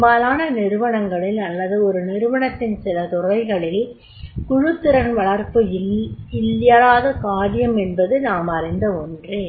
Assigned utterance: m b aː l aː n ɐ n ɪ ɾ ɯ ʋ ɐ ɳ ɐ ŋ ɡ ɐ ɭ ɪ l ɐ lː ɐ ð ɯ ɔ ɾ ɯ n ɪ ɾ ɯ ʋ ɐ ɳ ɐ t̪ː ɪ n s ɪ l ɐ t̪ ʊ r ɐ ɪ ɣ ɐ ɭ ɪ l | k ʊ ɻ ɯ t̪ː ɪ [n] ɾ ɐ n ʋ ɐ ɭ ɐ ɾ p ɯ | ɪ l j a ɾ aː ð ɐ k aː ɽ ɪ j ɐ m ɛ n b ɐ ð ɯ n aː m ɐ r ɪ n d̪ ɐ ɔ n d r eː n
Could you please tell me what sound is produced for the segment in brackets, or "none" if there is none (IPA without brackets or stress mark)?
none